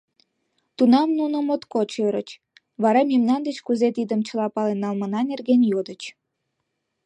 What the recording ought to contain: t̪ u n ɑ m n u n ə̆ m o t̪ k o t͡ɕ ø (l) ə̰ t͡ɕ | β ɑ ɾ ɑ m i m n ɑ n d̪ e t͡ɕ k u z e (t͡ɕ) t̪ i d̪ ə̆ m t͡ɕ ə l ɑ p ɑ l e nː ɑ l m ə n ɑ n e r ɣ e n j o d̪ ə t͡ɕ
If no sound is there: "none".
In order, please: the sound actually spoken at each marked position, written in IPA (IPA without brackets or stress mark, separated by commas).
ɾ, none